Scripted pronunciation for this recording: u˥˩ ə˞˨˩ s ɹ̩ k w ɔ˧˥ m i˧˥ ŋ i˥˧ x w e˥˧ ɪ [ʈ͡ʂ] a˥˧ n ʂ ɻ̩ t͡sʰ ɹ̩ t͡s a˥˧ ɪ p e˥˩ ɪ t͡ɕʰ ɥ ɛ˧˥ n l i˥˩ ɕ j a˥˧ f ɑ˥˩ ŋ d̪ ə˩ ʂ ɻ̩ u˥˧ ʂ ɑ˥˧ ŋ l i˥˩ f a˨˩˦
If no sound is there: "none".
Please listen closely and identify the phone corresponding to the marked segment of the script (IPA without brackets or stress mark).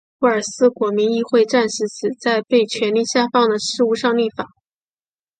ʈ͡ʂ